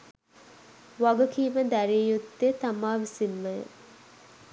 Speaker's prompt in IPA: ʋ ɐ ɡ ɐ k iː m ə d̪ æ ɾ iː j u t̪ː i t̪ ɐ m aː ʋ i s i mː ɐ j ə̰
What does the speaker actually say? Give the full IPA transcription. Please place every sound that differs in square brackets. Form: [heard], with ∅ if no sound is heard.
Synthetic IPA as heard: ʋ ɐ ɡ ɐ k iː m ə d̪ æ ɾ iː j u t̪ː [e] t̪ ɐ m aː ʋ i s i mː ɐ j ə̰